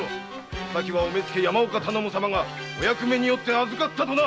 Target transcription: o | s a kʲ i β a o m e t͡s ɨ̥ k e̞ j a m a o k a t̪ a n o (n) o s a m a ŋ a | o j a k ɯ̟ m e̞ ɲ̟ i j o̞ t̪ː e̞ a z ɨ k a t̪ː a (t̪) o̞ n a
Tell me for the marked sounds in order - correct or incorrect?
incorrect: m, correct

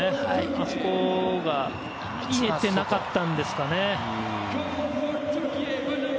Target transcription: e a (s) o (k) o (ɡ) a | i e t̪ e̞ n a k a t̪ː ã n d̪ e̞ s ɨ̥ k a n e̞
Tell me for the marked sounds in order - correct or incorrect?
correct, correct, correct

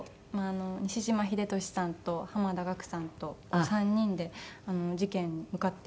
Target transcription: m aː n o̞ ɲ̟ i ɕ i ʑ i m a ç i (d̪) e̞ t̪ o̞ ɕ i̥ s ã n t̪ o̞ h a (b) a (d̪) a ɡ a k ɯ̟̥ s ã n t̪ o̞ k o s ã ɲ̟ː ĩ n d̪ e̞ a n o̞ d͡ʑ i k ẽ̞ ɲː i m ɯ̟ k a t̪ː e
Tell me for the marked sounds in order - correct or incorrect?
correct, incorrect: m, correct

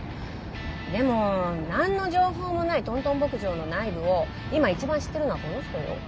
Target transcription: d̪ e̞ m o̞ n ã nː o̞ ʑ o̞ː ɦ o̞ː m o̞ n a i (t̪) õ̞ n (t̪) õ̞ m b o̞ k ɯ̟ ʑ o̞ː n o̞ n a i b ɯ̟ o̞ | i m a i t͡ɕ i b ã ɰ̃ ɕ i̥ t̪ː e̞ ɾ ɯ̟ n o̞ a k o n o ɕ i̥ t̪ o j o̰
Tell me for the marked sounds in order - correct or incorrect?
correct, correct

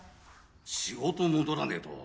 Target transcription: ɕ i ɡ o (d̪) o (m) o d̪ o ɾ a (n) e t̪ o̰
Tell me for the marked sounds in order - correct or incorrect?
incorrect: t̪, correct, correct

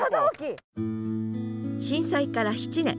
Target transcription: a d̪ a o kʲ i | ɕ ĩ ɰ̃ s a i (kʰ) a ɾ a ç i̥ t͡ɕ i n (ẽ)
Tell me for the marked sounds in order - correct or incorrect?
incorrect: k, correct

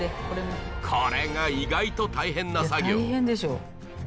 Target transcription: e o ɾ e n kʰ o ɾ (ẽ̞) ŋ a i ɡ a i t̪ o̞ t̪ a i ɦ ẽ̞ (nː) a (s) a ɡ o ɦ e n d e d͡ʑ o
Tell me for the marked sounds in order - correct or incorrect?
incorrect: e̞, correct, correct

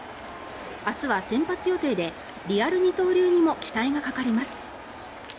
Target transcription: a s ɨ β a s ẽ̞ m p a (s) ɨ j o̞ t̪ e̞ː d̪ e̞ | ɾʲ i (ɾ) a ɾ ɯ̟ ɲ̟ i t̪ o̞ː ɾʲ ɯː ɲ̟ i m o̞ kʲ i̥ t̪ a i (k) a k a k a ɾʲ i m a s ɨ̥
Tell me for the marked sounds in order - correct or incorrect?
incorrect: t͡s, incorrect: none, incorrect: ɡ

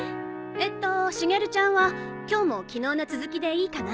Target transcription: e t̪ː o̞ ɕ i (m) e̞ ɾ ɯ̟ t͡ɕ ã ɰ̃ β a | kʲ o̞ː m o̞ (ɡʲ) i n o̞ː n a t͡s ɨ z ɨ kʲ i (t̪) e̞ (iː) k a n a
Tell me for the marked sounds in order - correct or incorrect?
incorrect: ŋ, incorrect: kʲ, incorrect: d̪, correct

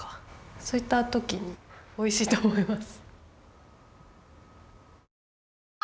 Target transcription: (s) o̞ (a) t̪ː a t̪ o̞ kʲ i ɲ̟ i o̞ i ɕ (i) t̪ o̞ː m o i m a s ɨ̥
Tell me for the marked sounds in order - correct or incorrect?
correct, incorrect: i, incorrect: iː

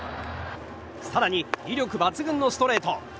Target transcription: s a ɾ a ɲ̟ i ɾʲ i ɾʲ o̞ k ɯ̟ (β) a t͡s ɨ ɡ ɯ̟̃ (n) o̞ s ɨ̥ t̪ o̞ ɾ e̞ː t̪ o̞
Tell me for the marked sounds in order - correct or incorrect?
incorrect: b, incorrect: nː

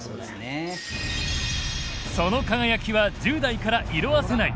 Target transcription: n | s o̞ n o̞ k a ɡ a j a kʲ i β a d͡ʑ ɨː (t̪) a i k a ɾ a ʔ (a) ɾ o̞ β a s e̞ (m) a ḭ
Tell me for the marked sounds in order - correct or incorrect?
incorrect: d̪, incorrect: i, incorrect: n

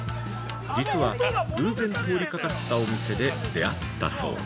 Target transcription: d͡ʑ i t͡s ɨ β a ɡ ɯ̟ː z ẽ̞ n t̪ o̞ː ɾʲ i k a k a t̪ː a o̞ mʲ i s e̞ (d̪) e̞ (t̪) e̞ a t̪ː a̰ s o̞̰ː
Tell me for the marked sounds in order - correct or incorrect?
correct, incorrect: d̪

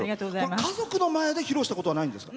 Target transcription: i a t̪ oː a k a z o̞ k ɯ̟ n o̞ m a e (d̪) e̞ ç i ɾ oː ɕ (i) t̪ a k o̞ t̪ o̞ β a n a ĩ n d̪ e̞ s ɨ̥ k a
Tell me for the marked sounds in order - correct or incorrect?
correct, correct

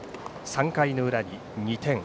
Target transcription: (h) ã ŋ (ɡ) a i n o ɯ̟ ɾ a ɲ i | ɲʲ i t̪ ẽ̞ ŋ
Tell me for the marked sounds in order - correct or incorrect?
incorrect: s, incorrect: k

